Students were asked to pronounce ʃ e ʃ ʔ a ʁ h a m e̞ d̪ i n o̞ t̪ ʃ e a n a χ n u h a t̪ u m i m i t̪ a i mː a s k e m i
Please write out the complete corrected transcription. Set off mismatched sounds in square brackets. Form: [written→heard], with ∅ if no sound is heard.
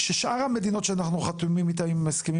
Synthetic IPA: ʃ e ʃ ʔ a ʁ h a m e̞ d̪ i n o̞ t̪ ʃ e a n a χ n u [h→χ] a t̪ u m i m i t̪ a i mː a s k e m i

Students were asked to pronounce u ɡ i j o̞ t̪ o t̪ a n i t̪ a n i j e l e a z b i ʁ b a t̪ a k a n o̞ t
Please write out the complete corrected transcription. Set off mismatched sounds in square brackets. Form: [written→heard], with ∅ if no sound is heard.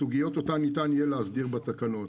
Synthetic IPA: u ɡ i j o̞ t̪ o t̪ a n i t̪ a n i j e l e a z [b→d] i ʁ b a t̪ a k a n o̞ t

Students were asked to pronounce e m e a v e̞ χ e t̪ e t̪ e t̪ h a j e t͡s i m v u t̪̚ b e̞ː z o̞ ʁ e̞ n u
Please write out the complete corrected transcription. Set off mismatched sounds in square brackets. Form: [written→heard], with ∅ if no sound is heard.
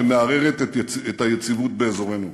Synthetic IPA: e m e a [v→ʁ] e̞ [χ→ʁ] e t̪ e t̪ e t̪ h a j e t͡s i [m→∅] v u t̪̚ b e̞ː z o̞ ʁ e̞ n u

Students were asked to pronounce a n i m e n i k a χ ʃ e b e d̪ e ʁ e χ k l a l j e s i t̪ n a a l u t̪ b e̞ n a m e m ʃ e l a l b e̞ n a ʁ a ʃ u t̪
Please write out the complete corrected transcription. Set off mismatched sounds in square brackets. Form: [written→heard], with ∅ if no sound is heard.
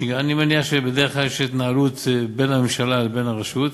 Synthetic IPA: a n i m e n i [k→∅] a χ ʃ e b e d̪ e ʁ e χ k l a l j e [s→ʃ] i t̪ n a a l u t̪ b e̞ n a m e m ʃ [e→a] l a l b e̞ n a ʁ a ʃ u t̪

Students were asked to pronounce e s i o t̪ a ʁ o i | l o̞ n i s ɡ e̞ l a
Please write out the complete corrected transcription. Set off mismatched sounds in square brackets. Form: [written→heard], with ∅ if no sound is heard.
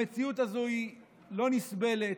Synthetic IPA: e [s→t͡s] i [o→u] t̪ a [ʁ→z] o i | l o̞ n i s [ɡ→b] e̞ l [a→e]

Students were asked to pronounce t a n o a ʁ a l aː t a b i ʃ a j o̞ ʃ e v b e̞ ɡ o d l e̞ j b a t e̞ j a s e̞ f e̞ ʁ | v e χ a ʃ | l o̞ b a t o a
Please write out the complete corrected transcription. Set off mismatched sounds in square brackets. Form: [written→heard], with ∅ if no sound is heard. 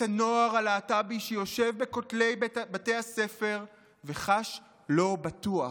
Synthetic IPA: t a n o a ʁ a l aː t a b i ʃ [a→e] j o̞ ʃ e v b e̞ [ɡ→k] o [d→t] l e̞ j b a t e̞ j a s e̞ f e̞ ʁ | v e χ a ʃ | l o̞ b a t [o→u] a

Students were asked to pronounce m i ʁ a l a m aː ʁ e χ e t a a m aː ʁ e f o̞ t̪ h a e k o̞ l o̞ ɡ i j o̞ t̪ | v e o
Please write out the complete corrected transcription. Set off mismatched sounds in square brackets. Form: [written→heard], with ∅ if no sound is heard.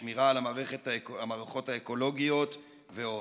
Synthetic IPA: m i ʁ a l a m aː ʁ e χ e t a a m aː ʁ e [f→χ] o̞ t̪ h a e k o̞ l o̞ ɡ i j o̞ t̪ | v e o

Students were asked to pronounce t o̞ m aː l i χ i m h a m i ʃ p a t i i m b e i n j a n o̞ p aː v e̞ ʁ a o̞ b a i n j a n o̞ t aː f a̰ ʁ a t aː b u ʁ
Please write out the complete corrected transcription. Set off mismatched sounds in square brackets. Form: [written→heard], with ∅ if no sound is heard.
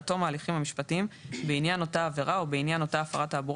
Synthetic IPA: t o̞ m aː l i χ i m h a m i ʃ p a t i i m b e i n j a n o̞ [p→t] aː v e̞ ʁ a o̞ b [a→e] i n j a n o̞ t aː f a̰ ʁ a t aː b u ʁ

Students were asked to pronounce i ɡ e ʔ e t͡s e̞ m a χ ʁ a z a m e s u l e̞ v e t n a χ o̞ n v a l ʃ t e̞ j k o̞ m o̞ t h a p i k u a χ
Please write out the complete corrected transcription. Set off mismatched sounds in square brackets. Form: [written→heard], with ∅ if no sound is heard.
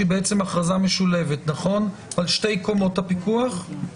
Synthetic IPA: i [ɡ→b] e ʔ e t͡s e̞ m a χ ʁ a z a m e [s→ʃ] u l e̞ v e t n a χ o̞ n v a l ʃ t e̞ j k o̞ m o̞ t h a p i k u a χ

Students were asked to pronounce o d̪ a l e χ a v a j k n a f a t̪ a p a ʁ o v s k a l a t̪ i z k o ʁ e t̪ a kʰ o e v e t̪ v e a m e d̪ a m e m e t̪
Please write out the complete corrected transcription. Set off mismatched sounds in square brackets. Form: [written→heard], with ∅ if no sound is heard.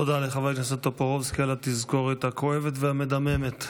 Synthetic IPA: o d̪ a l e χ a v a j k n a [f→s] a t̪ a p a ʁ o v s k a l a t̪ i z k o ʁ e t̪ a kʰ o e v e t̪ v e a m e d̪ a m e m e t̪

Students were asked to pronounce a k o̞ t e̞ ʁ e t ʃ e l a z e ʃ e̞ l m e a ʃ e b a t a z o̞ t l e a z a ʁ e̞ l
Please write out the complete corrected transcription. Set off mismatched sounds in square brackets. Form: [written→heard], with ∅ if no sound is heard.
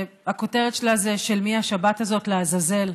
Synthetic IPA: a k o̞ t e̞ ʁ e t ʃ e l a z e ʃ e̞ l m [e→i] a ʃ [e→a] b a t a z o̞ t l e a z a [ʁ→z] e̞ l

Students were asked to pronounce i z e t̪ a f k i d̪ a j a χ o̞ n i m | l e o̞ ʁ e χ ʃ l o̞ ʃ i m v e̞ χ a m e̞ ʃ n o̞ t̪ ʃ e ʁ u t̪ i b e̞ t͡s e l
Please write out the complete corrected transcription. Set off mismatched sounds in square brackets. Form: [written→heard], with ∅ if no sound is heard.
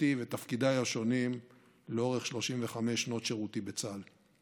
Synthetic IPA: i [z→v] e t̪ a f k i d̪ a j a [χ→ʃ] o̞ n i m | l e o̞ ʁ e χ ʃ l o̞ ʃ i m v e̞ χ a m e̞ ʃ n o̞ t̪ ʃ e ʁ u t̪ i b e̞ t͡s [e→a] l

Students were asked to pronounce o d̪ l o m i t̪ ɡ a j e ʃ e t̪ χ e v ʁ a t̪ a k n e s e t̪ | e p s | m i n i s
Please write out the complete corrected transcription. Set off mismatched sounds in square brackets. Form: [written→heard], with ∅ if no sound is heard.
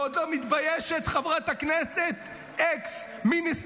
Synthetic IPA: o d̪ l o m i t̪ [ɡ→b] a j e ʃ e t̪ χ [e→a] v ʁ a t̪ a k n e s e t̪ | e [p→k] s | m i n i s

